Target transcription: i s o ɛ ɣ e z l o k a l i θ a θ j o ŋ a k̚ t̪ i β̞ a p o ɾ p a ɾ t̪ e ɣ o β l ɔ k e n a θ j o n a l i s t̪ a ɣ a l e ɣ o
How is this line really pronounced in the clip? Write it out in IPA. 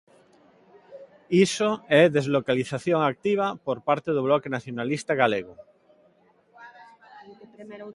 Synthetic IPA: i s o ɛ ð e z l o k a l i θ a θ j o ŋ a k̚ t̪ i β̞ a p o ɾ p a ɾ t̪ e ð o β l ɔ k e n a θ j o n a l i s t̪ a ɣ a l e ɣ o